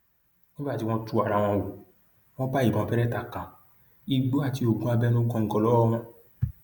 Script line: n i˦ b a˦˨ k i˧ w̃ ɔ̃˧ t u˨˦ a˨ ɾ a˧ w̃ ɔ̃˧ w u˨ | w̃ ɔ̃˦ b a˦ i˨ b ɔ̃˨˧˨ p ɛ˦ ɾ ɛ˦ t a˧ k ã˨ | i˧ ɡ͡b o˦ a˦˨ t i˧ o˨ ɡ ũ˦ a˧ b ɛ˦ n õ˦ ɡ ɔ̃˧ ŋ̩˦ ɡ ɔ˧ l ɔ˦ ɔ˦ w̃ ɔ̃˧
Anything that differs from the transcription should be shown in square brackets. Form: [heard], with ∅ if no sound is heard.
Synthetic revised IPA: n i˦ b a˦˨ [t] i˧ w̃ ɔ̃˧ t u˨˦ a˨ ɾ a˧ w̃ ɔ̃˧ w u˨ | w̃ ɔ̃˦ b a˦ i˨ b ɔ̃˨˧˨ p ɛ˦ ɾ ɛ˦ t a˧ k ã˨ | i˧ ɡ͡b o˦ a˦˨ t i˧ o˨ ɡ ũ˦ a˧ b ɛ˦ n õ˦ ɡ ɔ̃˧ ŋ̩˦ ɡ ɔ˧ l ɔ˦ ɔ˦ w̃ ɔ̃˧